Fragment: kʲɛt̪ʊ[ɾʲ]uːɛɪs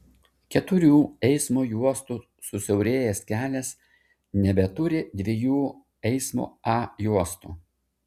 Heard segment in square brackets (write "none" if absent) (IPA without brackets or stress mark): ɾʲ